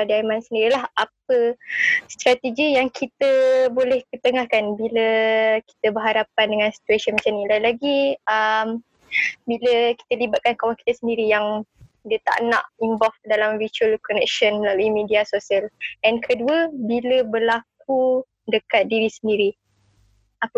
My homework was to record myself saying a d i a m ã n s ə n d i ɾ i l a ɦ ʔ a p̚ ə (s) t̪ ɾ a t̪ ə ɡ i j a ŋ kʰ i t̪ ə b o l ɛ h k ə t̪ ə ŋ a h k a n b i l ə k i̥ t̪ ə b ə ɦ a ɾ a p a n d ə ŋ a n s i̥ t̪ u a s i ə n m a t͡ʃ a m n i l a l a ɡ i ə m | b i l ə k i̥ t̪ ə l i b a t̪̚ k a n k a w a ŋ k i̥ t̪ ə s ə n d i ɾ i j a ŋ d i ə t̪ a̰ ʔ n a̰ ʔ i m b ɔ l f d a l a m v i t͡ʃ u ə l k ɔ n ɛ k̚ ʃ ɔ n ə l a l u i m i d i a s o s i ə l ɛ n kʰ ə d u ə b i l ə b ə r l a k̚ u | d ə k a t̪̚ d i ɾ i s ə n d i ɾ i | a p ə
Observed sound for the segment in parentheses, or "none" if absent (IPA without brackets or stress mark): s